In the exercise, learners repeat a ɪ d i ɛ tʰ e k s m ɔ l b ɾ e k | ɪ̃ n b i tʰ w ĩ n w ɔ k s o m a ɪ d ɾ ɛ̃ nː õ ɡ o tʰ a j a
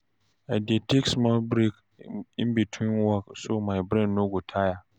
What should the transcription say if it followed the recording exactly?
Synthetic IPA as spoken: a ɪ d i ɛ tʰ e k s m ɔ l b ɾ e k | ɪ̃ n b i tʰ w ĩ n w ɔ k s o m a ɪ b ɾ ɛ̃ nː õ ɡ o tʰ a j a